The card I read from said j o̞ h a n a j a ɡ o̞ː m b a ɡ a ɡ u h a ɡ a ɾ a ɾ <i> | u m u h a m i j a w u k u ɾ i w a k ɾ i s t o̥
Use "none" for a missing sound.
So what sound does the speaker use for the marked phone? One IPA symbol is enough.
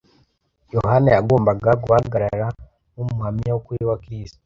a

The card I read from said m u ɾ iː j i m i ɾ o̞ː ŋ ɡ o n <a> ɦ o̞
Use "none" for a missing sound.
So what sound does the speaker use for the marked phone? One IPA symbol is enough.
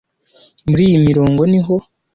i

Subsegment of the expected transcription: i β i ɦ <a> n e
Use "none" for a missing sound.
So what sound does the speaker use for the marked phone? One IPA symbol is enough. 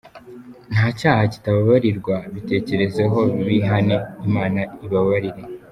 a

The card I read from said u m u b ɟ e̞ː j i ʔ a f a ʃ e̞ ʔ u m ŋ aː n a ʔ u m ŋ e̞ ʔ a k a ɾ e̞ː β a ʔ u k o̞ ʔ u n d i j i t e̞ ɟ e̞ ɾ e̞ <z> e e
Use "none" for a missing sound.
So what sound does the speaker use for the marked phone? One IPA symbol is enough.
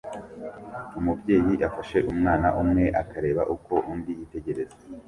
z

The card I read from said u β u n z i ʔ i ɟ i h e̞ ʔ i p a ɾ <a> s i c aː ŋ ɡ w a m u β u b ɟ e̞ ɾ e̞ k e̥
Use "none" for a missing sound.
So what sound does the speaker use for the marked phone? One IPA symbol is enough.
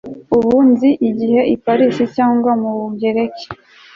i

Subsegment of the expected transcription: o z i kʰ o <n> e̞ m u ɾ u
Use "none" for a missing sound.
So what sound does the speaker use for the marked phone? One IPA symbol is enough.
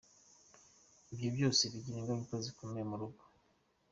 m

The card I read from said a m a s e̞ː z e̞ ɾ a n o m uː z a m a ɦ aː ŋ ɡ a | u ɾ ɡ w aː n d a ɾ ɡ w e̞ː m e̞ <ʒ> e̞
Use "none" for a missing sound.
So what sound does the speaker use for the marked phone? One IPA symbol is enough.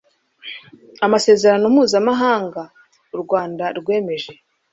ʒ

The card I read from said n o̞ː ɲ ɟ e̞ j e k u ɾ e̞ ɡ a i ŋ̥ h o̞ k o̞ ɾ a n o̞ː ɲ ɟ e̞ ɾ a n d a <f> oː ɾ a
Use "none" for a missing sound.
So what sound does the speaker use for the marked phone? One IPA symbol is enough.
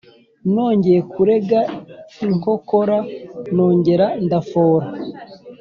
f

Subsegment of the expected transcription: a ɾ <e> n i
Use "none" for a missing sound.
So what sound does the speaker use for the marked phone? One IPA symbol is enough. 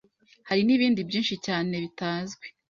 i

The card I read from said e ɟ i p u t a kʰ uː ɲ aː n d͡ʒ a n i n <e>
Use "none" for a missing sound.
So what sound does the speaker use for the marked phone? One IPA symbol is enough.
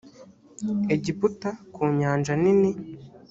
i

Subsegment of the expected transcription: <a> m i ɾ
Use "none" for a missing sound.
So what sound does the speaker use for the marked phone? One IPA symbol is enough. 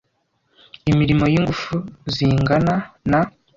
i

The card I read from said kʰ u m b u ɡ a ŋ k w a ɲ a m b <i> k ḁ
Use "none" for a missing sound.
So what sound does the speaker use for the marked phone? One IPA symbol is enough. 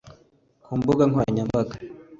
a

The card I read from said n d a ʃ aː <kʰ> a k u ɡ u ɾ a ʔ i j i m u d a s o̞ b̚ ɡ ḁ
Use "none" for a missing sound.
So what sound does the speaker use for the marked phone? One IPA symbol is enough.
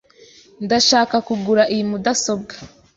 k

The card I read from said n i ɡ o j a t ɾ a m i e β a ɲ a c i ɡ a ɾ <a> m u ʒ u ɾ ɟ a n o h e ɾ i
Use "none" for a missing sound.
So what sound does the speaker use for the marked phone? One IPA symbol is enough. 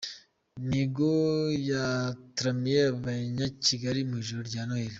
i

